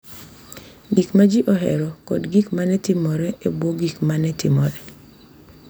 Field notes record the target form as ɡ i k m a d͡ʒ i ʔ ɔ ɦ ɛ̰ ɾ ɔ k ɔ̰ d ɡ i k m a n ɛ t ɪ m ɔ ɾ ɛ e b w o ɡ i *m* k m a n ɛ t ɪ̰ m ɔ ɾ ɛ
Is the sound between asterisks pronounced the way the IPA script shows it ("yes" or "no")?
no